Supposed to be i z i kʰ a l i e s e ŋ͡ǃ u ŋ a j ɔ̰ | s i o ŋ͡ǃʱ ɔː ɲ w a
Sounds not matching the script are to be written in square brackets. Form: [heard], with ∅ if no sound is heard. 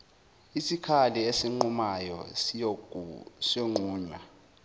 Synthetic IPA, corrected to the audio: i [s] i kʰ a l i e s [i] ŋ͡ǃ u [m] a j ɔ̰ | s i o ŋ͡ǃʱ [uː] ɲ w a